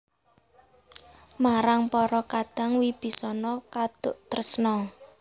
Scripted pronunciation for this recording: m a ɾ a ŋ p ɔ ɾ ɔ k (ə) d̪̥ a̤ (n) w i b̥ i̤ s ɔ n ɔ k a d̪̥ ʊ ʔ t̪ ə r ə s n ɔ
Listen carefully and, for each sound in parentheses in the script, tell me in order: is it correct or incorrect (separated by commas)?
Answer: incorrect, incorrect